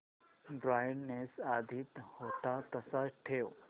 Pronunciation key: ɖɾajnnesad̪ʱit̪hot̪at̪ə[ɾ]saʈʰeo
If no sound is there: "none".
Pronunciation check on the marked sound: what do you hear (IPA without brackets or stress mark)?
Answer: none